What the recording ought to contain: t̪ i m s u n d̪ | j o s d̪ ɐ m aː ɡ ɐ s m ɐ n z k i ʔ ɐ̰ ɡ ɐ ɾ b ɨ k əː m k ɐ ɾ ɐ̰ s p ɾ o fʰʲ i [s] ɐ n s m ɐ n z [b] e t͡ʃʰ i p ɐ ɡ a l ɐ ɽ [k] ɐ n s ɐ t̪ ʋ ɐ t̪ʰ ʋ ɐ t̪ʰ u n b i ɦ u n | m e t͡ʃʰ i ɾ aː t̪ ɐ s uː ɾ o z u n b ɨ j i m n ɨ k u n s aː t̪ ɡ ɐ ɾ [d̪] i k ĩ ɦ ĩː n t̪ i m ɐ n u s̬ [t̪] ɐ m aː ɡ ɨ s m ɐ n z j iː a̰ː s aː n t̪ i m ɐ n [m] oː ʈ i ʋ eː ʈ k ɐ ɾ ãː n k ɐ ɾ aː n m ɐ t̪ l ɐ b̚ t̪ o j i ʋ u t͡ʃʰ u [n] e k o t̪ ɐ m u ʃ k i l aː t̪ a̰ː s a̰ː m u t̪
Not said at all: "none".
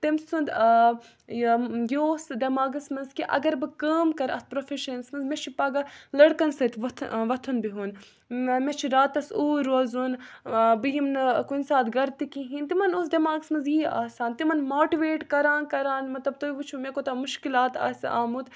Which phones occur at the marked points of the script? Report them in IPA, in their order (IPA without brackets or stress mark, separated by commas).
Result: ʃ, m, k, t̪, d̪, m, m